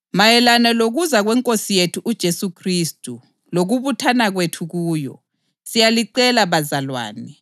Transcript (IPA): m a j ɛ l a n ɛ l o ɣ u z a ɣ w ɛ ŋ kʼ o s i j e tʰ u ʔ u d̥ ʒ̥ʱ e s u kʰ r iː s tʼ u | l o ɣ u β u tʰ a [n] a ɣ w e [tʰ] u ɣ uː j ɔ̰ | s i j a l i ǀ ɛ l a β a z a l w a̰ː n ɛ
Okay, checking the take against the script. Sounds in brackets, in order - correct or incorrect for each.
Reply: correct, correct

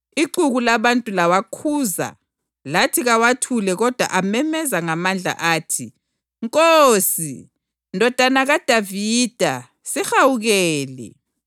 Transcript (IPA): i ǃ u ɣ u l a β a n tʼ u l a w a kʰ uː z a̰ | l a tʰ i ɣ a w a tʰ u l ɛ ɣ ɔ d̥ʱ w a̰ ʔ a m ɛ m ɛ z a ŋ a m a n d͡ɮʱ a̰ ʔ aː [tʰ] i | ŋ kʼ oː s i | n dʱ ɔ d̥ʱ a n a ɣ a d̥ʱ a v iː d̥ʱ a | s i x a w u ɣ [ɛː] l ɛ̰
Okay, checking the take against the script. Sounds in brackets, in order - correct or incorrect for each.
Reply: correct, correct

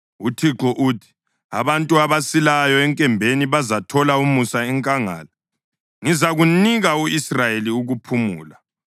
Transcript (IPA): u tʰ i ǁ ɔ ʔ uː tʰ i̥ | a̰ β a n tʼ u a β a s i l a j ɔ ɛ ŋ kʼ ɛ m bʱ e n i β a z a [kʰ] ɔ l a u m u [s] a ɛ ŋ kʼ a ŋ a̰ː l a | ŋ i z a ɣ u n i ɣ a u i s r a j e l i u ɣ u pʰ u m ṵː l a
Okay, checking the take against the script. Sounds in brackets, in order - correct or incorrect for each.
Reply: incorrect: tʰ, correct

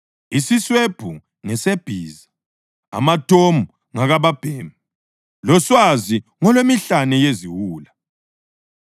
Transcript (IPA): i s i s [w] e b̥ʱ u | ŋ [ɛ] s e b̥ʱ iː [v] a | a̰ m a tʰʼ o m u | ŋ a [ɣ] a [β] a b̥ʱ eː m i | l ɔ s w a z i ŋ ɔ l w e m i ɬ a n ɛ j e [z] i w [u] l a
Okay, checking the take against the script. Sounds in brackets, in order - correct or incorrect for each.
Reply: correct, correct, incorrect: z, correct, correct, correct, incorrect: uː

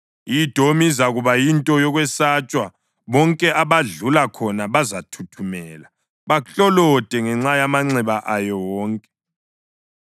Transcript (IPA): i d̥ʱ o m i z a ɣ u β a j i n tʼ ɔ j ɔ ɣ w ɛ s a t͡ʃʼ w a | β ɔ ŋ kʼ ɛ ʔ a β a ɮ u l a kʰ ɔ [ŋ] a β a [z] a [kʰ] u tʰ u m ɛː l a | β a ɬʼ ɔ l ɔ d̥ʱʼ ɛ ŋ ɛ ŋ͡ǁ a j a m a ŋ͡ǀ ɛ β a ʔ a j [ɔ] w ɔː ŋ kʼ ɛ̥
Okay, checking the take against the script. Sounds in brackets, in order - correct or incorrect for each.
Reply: incorrect: n, correct, incorrect: tʰ, correct

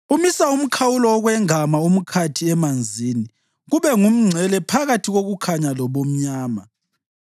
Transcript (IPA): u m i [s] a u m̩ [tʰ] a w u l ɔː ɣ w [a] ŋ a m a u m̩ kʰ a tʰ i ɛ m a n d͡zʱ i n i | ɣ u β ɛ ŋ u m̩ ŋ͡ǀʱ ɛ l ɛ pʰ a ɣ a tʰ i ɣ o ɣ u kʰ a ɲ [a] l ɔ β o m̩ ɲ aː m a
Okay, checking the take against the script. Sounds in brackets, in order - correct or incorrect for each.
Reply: correct, incorrect: kʰ, incorrect: ɛ, correct

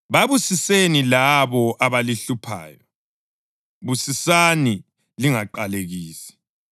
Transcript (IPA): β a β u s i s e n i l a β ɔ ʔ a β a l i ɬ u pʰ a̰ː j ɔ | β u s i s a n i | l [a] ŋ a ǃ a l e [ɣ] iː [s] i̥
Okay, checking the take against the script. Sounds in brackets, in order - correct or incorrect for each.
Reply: incorrect: i, correct, correct

